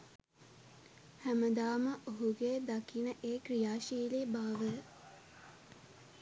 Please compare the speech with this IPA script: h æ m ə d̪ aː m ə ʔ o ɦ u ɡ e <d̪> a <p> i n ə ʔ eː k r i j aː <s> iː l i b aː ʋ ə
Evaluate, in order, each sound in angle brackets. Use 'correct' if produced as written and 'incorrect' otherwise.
correct, incorrect, incorrect

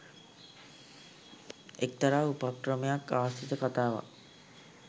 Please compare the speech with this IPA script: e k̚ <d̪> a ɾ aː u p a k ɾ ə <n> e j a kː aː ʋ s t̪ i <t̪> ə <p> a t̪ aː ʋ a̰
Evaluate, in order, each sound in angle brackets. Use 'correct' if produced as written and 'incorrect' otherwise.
incorrect, incorrect, correct, incorrect

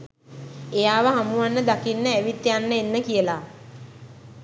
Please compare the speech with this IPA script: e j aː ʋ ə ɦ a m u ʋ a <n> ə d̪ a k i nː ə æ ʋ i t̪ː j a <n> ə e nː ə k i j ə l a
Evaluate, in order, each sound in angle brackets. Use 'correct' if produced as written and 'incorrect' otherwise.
incorrect, incorrect

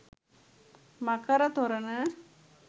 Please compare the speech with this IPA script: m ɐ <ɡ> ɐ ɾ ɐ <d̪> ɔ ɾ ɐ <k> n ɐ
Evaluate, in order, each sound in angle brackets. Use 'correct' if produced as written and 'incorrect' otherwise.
incorrect, incorrect, incorrect

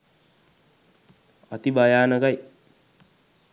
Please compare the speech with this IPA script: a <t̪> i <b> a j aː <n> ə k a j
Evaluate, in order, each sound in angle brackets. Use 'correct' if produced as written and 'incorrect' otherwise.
correct, correct, correct

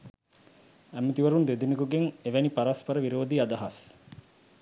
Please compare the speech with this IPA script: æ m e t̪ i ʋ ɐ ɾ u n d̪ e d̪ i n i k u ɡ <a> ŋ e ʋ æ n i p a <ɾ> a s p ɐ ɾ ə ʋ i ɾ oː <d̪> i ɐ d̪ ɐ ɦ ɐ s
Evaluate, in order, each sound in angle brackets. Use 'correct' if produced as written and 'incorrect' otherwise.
incorrect, correct, correct

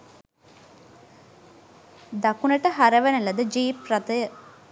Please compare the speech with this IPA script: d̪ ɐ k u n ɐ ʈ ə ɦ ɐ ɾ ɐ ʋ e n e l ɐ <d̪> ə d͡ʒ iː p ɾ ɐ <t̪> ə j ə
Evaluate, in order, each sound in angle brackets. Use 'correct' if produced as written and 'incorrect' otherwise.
correct, correct

